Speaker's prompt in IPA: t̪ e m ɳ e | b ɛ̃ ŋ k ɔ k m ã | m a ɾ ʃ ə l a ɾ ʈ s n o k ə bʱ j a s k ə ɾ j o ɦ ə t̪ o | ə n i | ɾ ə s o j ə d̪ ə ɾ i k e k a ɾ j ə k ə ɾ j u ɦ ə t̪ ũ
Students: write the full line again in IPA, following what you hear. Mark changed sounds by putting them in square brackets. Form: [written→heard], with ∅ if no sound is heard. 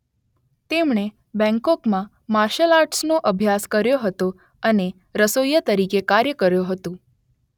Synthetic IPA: t̪ e m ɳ e | b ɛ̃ ŋ k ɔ k m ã | m a ɾ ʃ ə l a ɾ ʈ s n o [k→ʔ] ə bʱ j a s k ə ɾ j o ɦ ə t̪ o | ə n [i→e] | ɾ ə s o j ə [d̪→t̪] ə ɾ i k e k a ɾ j ə k ə ɾ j [u→o] ɦ ə t̪ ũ

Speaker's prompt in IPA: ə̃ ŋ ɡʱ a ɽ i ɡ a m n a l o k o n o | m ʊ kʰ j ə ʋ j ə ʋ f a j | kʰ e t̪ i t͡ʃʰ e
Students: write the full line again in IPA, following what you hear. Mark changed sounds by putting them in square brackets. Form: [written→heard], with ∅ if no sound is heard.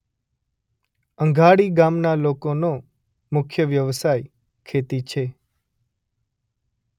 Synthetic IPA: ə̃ ŋ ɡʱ a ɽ i ɡ a m n a l o k o n o | m ʊ kʰ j ə ʋ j ə ʋ [f→s] a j | kʰ e t̪ i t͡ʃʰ e

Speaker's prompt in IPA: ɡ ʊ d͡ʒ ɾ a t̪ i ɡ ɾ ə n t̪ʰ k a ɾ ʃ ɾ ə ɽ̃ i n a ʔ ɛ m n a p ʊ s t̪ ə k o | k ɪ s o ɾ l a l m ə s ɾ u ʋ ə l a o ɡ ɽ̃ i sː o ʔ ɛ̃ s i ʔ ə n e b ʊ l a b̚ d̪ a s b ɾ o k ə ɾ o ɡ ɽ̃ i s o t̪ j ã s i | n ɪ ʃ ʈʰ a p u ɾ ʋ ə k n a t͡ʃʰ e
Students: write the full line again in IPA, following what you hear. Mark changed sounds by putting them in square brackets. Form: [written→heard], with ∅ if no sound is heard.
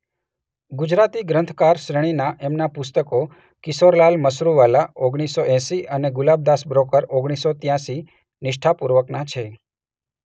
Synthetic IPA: ɡ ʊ d͡ʒ ɾ a t̪ i ɡ ɾ ə n t̪ʰ k a ɾ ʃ ɾ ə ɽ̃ i n a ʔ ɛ m n a p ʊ s t̪ ə k o | k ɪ s o ɾ l a l m ə s ɾ u ʋ [ə→a] l a o ɡ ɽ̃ i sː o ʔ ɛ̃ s i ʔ ə n e [b→ɡ] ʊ l a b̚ d̪ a s b ɾ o k ə ɾ o ɡ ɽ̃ i s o t̪ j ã s i | n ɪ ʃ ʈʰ a p u ɾ ʋ ə k n a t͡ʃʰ e

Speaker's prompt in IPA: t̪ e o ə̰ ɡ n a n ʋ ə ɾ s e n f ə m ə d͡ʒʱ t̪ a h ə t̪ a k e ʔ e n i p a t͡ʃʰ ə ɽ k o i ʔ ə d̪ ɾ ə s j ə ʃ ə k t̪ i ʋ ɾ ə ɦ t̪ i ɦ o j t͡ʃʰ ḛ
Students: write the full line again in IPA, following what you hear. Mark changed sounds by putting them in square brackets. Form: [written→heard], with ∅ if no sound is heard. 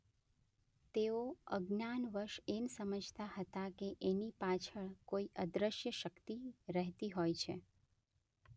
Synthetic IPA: t̪ e o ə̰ ɡ n a n ʋ ə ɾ [s→ʃ] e n [f→s] ə m ə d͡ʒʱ t̪ a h ə t̪ a k e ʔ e n i p a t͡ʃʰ ə [ɽ→ɭ] k o i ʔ ə d̪ ɾ ə [s→ʃ] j ə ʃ ə k t̪ i [ʋ→∅] ɾ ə ɦ t̪ i ɦ o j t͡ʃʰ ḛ

